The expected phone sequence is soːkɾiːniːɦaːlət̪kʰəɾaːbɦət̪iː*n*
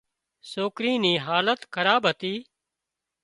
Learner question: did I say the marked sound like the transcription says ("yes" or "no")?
no